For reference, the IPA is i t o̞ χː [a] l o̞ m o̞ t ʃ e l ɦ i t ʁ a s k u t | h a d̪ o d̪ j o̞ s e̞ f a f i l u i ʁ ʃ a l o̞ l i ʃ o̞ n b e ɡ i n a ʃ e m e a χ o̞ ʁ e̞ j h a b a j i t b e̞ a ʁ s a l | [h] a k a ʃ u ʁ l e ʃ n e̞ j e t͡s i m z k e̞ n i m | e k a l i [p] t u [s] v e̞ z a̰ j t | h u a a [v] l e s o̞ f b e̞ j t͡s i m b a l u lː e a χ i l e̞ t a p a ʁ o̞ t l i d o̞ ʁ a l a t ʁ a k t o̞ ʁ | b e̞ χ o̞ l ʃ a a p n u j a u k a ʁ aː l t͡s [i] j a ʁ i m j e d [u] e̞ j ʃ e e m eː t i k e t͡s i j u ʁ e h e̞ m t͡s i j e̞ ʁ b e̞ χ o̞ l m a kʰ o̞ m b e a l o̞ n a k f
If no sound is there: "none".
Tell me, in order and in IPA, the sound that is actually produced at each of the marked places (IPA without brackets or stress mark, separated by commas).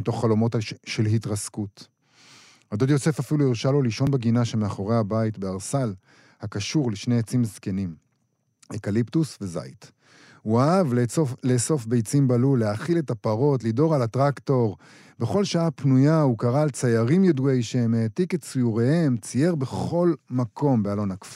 a, h, p, s, v, a, u